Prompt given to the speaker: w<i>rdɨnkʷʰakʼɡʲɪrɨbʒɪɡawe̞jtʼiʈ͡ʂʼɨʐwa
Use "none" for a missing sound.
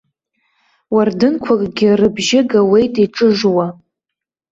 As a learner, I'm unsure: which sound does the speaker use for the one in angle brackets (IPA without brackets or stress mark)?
a